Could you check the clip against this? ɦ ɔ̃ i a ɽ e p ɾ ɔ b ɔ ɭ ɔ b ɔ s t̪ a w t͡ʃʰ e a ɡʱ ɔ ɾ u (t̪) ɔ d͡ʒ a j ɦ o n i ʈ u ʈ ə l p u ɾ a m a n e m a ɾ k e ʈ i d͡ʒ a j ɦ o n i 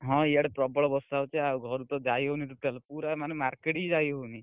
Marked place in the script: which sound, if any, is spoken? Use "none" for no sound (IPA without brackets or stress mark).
t̪